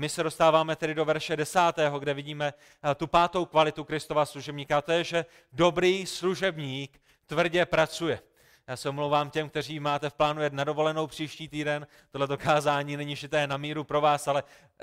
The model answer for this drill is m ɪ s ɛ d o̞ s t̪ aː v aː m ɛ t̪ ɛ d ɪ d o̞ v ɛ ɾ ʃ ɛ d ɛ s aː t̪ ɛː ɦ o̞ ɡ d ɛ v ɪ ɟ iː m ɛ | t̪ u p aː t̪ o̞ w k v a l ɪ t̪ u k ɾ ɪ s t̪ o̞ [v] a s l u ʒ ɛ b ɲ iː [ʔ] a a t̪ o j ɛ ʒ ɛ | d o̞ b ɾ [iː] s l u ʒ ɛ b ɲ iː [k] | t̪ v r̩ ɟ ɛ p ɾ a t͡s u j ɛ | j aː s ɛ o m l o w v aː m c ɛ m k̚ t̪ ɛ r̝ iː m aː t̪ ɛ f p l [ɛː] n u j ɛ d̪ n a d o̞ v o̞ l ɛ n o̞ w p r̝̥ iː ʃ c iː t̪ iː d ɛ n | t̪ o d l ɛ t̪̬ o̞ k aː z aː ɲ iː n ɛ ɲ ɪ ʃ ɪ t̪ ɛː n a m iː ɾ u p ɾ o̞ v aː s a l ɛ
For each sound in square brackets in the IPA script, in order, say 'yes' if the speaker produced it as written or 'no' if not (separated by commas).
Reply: yes, no, yes, yes, no